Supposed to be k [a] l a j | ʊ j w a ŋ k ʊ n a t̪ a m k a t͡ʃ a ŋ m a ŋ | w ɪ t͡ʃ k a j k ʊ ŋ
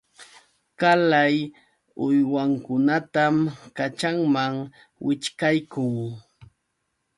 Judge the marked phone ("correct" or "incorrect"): correct